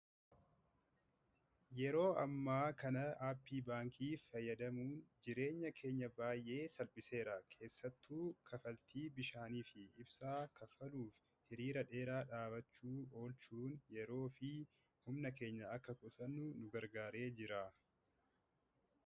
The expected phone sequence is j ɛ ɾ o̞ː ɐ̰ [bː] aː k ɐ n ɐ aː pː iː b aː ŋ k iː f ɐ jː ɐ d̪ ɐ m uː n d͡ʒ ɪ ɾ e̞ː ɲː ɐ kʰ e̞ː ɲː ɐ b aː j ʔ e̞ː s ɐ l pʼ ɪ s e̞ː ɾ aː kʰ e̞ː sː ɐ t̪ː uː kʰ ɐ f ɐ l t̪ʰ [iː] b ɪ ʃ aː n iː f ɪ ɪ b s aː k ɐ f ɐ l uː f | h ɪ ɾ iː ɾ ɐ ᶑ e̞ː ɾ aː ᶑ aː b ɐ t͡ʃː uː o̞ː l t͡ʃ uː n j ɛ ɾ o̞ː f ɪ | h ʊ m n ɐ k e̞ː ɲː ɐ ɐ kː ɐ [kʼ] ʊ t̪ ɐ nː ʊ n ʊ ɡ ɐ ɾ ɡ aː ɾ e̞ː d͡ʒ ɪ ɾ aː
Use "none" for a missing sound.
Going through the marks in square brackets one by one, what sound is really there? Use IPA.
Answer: mː, iː, kʼ

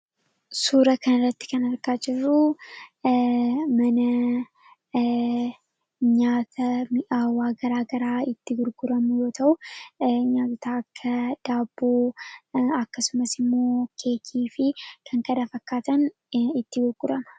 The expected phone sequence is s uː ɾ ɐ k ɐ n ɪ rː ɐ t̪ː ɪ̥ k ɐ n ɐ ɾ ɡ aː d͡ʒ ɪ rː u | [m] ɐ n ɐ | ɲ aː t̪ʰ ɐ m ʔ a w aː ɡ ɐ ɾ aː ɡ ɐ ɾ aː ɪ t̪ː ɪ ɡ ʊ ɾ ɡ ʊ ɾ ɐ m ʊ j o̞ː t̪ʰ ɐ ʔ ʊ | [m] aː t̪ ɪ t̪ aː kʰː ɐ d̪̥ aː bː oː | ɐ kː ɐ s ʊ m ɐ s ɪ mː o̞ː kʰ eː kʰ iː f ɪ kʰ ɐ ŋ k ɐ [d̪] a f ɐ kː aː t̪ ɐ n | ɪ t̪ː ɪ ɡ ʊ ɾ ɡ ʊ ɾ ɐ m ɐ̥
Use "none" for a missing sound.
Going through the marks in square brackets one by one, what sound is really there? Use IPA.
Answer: m, ɲ, d̪

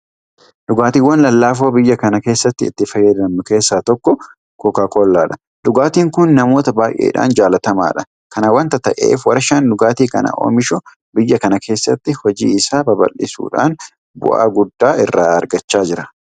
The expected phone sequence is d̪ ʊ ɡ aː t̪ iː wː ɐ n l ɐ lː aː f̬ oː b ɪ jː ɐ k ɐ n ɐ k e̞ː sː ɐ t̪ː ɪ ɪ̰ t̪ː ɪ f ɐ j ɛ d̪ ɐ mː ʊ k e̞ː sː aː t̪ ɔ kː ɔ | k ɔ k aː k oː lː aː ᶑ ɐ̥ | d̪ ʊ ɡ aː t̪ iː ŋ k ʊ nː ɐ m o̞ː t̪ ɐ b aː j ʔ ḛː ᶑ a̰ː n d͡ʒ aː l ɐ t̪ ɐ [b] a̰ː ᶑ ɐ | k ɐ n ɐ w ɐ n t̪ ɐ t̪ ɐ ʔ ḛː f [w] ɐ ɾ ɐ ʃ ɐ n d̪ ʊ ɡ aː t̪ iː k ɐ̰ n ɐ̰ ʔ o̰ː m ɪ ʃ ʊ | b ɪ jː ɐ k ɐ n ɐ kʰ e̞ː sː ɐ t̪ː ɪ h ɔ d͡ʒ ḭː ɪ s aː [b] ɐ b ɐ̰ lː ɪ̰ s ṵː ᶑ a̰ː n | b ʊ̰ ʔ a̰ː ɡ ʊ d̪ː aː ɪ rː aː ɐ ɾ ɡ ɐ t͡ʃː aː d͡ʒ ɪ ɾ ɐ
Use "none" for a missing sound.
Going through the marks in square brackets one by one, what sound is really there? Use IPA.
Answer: m, w, b

